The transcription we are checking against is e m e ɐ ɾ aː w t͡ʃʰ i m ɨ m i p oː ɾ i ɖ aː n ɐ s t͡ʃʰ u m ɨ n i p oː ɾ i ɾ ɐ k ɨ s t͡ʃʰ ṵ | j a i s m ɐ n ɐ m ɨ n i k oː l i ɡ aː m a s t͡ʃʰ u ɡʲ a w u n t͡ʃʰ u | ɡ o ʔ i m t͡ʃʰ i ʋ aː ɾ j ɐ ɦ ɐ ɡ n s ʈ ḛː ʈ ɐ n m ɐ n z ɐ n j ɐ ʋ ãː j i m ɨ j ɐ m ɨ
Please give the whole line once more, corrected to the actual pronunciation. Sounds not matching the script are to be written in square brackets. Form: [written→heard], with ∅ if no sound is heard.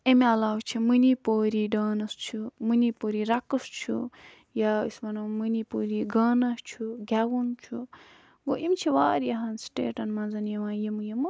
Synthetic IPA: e m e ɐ [ɾ→l] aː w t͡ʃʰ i m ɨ [m→n] i p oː ɾ i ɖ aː n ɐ s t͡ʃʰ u m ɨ n i p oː ɾ i ɾ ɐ k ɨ s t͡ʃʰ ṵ | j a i s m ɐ n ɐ m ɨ n i [k→p] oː [l→ɾ] i ɡ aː [m→n] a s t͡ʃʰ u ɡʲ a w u n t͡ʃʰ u | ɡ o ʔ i m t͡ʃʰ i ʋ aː ɾ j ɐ ɦ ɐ [ɡ→∅] n s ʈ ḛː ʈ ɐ n m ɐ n z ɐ n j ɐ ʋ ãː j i m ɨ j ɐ m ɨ